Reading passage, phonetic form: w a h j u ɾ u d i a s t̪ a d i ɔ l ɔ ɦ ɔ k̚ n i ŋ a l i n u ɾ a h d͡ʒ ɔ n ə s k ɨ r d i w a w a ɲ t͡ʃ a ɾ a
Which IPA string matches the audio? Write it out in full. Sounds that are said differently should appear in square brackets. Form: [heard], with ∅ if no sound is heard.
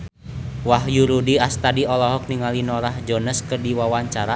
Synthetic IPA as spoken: w a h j u ɾ u d i a s t̪ a d i ɔ l ɔ ɦ ɔ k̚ n i ŋ a l i n [ɔ] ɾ a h d͡ʒ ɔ n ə s k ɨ r d i w a w a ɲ t͡ʃ a ɾ a